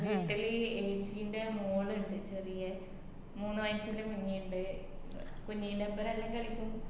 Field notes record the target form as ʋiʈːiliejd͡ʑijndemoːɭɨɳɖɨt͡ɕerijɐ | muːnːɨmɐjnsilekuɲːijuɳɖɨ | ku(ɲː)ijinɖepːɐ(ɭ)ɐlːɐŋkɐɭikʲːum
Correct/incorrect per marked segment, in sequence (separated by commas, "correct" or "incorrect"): correct, incorrect